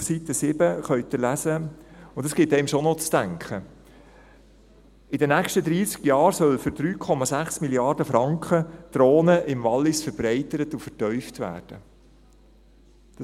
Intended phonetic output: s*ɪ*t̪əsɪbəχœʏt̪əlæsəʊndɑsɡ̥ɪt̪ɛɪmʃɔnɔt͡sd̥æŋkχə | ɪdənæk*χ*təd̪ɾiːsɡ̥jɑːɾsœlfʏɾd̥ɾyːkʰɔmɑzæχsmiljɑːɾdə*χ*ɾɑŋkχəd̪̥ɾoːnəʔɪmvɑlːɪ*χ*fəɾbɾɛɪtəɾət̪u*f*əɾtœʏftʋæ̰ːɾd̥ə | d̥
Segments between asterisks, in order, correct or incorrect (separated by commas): incorrect, incorrect, incorrect, incorrect, correct